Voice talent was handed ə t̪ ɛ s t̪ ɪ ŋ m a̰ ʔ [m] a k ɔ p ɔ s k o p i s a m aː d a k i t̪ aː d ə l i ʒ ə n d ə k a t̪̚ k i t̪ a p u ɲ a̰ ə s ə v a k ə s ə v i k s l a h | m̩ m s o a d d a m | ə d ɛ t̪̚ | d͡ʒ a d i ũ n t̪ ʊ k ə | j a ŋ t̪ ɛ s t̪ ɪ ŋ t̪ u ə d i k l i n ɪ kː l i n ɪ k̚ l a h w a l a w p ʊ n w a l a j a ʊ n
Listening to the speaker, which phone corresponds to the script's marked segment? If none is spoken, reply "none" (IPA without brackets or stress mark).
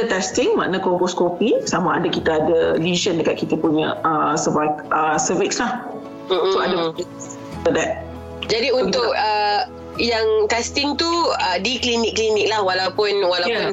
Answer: n